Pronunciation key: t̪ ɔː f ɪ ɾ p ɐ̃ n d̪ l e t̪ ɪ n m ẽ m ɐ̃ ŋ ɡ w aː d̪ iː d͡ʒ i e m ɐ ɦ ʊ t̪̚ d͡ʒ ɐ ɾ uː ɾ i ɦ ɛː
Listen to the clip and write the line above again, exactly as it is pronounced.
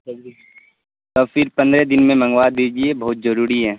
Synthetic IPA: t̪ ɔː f ɪ ɾ p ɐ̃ n d̪ ɾ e d̪ ɪ n m ẽ m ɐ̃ ŋ ɡ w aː d̪ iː d͡ʒ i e b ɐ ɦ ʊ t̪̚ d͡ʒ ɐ ɾ uː ɾ i ɦ ɛː